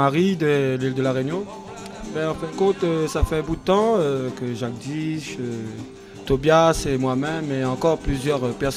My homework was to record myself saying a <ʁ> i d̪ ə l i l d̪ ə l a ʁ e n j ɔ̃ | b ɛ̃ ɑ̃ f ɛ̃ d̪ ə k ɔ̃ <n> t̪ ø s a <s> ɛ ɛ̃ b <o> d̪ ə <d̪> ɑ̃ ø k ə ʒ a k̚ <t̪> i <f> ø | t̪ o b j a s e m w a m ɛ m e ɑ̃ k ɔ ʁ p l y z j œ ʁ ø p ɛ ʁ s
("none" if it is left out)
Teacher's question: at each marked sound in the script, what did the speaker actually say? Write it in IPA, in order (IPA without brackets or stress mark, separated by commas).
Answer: ʁ, none, f, u, t̪, d̪, ʃ